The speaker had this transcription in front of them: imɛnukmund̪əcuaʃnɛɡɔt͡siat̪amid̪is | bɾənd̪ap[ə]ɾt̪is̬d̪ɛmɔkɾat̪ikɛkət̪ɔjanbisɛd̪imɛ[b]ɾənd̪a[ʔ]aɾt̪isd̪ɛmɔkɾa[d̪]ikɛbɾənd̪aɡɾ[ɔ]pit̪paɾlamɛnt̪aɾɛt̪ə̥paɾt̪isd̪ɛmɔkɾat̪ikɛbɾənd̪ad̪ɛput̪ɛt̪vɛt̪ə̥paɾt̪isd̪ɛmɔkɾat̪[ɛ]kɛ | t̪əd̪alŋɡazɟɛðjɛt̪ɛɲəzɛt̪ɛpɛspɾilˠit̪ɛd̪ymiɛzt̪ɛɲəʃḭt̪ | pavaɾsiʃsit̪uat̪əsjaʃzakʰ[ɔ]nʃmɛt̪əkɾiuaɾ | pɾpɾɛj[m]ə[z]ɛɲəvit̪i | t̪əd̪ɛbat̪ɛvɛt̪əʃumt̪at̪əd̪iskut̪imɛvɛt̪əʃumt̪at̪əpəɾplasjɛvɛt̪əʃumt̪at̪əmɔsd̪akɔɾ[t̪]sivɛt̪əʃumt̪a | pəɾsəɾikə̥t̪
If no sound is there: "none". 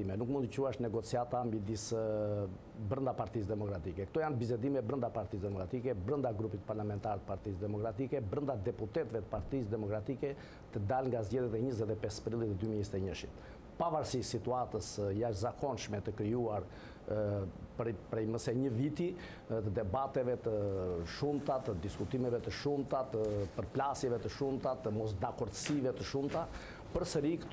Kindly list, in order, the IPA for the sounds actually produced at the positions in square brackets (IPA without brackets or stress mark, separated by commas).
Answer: a, b, p, t̪, u, i, ɔ, m, s, d̪